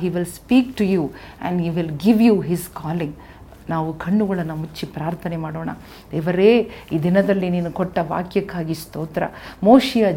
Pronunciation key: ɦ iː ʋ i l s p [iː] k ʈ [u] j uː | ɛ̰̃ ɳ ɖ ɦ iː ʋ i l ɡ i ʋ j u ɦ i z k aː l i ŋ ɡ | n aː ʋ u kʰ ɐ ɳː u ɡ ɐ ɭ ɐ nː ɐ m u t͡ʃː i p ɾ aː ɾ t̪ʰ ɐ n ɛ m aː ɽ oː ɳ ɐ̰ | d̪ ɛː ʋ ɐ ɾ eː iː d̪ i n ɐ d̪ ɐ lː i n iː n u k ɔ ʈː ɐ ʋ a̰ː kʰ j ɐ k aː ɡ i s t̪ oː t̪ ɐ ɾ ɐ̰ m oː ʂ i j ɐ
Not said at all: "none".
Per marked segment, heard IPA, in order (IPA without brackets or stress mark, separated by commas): iː, u